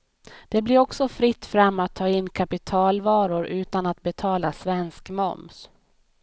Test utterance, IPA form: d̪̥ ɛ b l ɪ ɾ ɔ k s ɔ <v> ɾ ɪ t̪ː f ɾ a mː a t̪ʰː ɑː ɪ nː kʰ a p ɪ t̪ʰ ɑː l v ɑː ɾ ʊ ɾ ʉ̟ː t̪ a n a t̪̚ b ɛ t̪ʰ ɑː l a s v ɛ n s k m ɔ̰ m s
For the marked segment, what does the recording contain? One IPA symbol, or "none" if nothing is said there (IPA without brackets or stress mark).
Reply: f